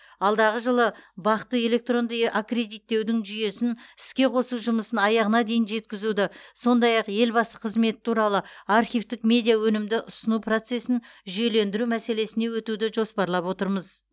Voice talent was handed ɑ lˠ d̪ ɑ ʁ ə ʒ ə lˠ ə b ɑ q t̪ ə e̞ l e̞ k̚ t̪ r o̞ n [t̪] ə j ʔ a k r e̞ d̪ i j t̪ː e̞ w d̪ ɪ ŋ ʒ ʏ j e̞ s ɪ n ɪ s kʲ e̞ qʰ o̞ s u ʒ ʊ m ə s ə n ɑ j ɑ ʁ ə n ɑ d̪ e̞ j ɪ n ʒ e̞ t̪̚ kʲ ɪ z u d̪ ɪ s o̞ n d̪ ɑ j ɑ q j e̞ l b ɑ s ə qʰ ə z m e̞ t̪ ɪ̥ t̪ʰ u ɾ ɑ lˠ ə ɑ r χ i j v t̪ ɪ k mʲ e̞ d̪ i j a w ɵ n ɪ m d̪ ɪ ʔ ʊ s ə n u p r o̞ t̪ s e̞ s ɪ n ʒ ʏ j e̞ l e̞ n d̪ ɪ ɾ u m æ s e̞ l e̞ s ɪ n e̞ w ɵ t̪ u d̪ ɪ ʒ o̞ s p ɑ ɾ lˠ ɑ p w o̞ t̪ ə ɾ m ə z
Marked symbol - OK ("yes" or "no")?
no